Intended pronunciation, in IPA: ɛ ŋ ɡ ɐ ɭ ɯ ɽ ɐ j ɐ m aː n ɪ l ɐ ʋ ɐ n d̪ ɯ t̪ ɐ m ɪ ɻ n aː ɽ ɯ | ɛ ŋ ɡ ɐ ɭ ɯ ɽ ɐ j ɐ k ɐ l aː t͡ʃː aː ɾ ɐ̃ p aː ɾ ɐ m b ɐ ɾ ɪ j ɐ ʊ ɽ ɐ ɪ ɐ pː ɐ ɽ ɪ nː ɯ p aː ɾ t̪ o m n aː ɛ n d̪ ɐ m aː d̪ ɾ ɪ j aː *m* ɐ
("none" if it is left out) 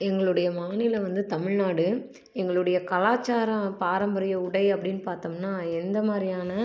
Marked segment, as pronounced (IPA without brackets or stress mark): n